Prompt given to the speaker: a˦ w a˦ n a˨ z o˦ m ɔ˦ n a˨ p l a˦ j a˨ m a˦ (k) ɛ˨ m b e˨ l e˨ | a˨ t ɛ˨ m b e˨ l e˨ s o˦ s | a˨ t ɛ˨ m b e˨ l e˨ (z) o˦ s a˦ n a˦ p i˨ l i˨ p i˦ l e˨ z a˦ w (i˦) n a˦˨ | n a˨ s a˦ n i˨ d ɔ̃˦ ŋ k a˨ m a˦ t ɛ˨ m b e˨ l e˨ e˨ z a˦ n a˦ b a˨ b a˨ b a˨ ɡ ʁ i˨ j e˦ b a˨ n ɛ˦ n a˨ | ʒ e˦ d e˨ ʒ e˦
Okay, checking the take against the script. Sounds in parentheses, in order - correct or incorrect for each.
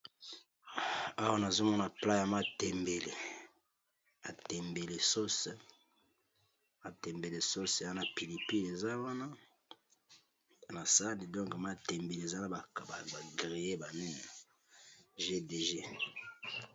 incorrect: t, incorrect: s, incorrect: a˦

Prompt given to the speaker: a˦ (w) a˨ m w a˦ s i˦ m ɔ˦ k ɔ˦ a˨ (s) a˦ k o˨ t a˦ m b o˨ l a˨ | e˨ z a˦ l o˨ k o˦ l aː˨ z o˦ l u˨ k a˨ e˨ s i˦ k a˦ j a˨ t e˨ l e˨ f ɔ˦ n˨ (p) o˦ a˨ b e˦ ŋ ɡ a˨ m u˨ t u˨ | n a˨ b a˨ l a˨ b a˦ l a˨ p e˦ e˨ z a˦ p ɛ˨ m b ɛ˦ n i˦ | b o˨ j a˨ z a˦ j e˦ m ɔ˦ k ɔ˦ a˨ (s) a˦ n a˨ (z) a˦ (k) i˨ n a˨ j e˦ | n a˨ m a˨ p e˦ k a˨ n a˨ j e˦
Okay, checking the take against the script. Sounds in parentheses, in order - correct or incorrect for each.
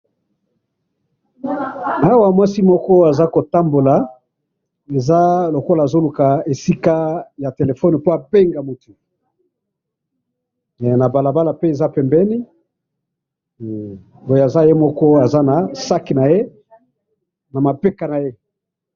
correct, incorrect: z, correct, incorrect: z, incorrect: s, correct

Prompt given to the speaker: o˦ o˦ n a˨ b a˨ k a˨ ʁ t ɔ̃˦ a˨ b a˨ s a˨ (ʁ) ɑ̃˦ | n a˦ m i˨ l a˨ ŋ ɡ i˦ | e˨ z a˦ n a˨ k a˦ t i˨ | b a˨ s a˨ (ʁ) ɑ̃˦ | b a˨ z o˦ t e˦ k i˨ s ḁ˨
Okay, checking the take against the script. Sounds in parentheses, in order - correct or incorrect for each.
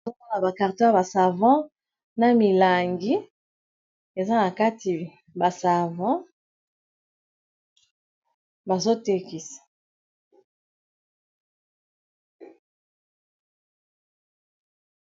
incorrect: v, incorrect: v

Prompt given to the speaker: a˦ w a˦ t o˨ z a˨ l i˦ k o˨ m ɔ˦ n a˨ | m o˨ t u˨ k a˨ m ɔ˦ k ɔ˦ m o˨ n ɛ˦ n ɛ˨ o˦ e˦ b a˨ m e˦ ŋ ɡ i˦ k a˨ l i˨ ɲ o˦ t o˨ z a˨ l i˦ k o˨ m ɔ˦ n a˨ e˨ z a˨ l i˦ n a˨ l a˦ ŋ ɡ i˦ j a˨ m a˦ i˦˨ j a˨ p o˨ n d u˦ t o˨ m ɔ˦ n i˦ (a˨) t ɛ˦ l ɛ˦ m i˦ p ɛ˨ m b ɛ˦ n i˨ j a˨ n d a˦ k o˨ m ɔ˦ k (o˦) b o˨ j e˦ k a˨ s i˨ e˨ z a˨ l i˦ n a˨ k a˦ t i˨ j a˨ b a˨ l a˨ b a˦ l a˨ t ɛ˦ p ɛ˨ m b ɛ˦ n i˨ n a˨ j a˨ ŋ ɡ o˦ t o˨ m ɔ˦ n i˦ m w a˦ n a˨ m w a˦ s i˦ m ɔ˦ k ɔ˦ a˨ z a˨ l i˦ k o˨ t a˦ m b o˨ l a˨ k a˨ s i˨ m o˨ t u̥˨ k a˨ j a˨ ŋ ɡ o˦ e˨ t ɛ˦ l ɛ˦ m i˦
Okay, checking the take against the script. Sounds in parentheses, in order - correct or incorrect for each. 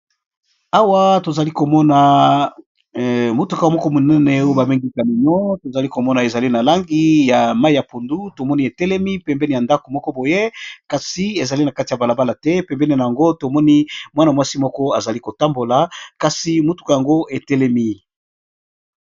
incorrect: e˨, incorrect: ɔ˦

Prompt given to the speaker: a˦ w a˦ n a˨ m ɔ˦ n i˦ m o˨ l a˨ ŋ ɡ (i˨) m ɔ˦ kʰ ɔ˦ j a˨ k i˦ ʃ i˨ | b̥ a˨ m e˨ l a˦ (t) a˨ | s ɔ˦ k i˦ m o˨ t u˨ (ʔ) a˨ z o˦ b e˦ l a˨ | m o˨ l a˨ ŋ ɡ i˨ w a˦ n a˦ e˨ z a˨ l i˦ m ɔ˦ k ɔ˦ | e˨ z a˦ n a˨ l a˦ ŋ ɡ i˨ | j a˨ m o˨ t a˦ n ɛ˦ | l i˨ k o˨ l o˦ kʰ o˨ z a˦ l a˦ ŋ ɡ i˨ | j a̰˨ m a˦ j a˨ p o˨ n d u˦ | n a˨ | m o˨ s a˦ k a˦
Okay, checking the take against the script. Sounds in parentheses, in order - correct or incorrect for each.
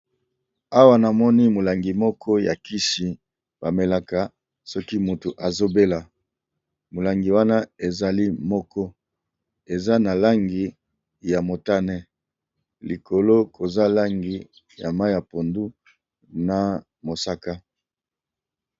correct, incorrect: k, correct

